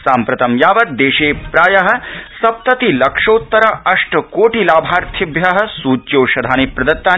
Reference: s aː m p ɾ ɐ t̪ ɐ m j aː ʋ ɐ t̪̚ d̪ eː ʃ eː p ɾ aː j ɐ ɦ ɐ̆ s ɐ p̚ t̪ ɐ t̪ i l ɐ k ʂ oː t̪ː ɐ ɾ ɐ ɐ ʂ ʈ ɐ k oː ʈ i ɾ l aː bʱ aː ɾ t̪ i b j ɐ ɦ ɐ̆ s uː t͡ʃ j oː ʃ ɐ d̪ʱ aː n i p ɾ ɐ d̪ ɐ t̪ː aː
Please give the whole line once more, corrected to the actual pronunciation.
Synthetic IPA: s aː m p ɾ ɐ t̪ ɐ m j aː ʋ ɐ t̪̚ d̪ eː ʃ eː p ɾ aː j ɐ ɦ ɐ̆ s ɐ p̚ t̪ ɐ t̪ i l ɐ k ʂ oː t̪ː ɐ ɾ ɐ ɐ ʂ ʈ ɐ k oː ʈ i l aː bʱ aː ɾ t̪ʰ i b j ɐ ɦ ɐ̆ s uː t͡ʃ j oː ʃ ɐ d̪ʱ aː n i p ɾ ɐ d̪ ɐ t̪ː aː

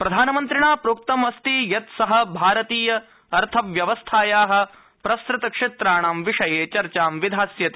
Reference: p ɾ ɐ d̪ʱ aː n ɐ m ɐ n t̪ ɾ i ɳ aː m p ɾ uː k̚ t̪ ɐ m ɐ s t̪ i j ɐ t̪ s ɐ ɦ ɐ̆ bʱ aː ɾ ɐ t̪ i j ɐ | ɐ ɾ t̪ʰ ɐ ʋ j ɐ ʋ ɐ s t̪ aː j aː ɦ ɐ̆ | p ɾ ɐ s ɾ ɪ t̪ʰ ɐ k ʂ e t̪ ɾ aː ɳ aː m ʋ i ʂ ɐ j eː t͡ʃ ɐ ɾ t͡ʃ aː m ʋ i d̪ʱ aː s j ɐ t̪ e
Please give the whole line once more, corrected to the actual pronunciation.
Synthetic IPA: p ɾ ɐ d̪ʱ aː n ɐ m ɐ n t̪ ɾ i ɳ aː p ɾ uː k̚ t̪ ɐ m ɐ s t̪ i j ɐ t̪ s ɐ ɦ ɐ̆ bʱ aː ɾ ɐ t̪ iː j ɐ | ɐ ɾ t̪ʰ ɐ ʋ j ɐ ʋ ɐ s t̪ʰ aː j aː ɦ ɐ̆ | p ɾ ɐ s ɾ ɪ t̪ ɐ k ʂ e t̪ ɾ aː ɳ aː m ʋ i ʂ ɐ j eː t͡ʃ ɐ ɾ t͡ʃ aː m ʋ i d̪ʱ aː s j ɐ t̪ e

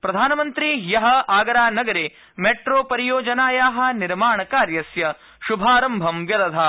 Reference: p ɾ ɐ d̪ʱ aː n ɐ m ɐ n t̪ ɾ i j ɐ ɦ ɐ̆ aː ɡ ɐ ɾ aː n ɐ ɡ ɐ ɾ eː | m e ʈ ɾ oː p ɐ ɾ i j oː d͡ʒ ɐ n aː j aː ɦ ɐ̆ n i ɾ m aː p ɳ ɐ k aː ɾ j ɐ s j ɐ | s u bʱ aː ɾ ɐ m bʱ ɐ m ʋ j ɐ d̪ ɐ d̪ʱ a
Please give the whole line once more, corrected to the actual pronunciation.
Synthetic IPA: p ɾ ɐ d̪ʱ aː n ɐ m ɐ n t̪ ɾ i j ɐ ɦ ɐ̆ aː ɡ ɐ ɾ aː n ɐ ɡ ɐ ɾ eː | m e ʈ ɾ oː p ɐ ɾ i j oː d͡ʒ ɐ n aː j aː ɦ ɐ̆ n i ɾ m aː ɳ ɐ k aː ɾ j ɐ s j ɐ | ʃ u bʱ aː ɾ ɐ m bʱ ɐ m ʋ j ɐ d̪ ɐ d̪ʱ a

